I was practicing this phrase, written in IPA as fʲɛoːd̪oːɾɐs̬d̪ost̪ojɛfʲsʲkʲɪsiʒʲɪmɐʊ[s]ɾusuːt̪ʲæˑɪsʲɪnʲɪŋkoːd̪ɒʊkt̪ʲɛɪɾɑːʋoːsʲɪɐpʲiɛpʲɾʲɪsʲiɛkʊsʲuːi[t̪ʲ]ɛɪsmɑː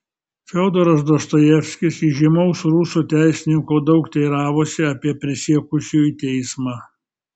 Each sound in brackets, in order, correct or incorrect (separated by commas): correct, correct